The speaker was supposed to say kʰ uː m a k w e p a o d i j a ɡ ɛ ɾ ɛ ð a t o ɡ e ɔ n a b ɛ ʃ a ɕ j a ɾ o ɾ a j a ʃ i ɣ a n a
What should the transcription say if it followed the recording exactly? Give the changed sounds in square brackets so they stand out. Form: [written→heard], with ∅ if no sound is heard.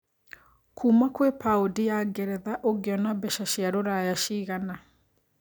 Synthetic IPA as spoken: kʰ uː m a k w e p a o d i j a ɡ ɛ ɾ ɛ ð a [t→ʔ] o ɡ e ɔ n a b ɛ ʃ a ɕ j a ɾ o ɾ a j a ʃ i ɣ a n a